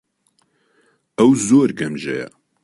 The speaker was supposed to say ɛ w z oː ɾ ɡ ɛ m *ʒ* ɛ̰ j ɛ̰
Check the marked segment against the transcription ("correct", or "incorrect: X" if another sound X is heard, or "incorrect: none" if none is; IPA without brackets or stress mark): correct